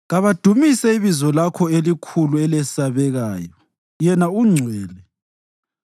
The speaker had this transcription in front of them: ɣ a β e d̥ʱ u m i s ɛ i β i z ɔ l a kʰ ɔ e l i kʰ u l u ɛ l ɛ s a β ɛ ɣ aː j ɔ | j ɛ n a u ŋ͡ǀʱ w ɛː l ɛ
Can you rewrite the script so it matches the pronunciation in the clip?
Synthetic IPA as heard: ɣ a β a d̥ʱ u m i s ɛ i β i z ɔ l a kʰ ɔ e l i kʰ u l u ɛ l ɛ s a β ɛ ɣ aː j ɔ | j ɛ n a u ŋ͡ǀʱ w ɛː l ɛ